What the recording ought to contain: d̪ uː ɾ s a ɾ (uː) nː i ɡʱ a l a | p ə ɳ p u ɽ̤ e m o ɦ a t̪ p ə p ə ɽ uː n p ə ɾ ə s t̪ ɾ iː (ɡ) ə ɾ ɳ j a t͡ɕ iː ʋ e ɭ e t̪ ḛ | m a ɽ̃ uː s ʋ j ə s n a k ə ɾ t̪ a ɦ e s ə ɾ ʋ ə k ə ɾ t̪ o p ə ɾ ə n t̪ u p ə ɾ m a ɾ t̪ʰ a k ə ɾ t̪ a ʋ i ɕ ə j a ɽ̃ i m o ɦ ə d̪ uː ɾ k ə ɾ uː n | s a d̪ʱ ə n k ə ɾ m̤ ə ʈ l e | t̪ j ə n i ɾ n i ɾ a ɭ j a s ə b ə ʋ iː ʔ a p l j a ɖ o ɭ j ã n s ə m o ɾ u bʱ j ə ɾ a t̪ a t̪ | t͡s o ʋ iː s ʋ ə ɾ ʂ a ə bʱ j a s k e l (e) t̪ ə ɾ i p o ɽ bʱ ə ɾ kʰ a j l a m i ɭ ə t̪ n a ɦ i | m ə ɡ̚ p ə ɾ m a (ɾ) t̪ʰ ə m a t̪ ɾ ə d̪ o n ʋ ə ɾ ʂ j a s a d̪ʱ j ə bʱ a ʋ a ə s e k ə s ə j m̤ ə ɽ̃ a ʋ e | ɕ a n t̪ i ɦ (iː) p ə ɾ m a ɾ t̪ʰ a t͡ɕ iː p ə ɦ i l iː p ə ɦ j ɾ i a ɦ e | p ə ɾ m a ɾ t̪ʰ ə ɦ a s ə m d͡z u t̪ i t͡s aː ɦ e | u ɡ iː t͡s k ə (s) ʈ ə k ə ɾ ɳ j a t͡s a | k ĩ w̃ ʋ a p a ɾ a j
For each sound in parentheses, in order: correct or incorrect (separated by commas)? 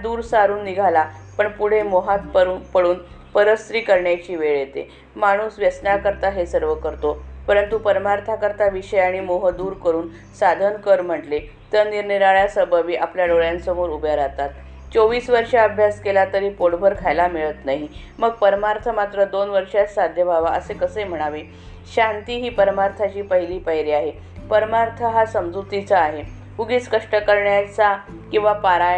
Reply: correct, incorrect, incorrect, correct, correct, incorrect